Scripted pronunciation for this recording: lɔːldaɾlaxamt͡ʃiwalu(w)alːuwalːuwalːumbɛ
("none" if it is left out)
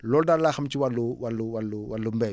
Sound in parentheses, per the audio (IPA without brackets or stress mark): w